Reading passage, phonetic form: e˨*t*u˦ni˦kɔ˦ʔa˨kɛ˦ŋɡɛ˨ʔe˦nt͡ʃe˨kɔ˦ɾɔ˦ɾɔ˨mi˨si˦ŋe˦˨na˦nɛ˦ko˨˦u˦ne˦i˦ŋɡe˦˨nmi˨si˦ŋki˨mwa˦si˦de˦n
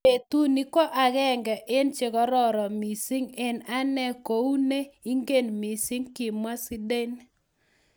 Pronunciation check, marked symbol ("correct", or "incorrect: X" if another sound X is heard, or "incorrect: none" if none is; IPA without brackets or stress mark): correct